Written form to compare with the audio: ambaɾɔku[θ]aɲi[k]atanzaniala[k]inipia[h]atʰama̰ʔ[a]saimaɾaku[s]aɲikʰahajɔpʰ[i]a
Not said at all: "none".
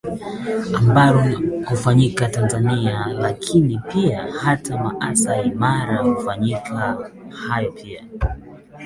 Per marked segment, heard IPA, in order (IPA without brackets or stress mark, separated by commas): f, k, kʰ, h, a, f, i